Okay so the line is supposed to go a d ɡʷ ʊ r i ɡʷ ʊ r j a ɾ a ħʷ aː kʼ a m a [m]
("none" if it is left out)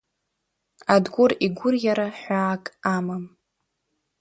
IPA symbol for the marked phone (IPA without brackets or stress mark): m